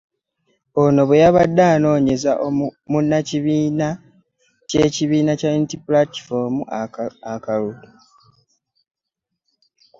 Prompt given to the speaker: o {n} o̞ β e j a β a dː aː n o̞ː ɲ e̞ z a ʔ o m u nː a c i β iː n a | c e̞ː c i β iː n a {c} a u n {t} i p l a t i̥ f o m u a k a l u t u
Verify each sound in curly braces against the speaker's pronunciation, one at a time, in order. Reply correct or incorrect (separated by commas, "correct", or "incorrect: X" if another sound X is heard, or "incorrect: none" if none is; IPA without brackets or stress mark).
correct, correct, correct